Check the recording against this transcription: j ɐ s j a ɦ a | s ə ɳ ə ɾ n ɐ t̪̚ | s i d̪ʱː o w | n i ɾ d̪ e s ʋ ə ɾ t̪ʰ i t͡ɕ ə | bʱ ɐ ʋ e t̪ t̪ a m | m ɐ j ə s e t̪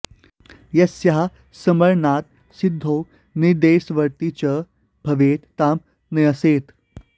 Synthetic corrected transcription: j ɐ s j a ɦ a | s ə m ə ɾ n a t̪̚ | s i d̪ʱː o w | n i ɾ d̪ e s ʋ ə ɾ t̪ i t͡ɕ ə | bʱ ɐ ʋ e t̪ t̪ a m | n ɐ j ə s e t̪